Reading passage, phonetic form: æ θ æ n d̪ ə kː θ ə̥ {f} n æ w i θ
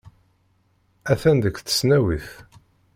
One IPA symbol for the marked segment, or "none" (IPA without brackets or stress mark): s